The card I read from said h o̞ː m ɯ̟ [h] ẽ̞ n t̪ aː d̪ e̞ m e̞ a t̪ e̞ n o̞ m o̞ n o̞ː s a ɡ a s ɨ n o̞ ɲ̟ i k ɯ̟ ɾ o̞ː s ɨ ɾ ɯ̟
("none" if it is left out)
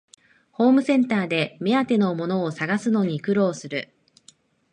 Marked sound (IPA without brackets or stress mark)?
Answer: s